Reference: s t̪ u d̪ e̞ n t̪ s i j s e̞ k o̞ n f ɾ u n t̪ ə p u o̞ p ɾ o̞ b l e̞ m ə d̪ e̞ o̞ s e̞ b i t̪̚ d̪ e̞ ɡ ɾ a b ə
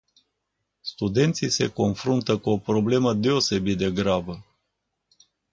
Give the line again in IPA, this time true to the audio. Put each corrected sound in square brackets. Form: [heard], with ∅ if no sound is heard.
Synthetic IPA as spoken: s t̪ u d̪ e̞ n t̪ s i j s e̞ k o̞ n f ɾ u n t̪ ə [k] u o̞ p ɾ o̞ b l e̞ m ə d̪ e̞ o̞ s e̞ b i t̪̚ d̪ e̞ ɡ ɾ a b ə